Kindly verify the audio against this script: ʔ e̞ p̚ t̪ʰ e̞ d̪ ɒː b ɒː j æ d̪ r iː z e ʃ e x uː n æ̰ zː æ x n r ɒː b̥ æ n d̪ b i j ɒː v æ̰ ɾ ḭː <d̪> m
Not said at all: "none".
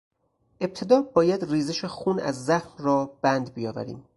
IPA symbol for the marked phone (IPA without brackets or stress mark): none